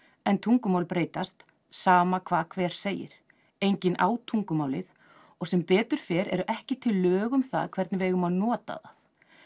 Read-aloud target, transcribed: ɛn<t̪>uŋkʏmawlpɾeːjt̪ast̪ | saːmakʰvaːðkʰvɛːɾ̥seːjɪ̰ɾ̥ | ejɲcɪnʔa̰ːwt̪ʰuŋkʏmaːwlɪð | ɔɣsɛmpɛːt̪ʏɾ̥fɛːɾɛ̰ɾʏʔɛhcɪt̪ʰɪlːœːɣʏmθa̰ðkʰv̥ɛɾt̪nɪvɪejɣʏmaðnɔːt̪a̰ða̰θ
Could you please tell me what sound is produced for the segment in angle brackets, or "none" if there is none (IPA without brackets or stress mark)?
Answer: t̪ʰ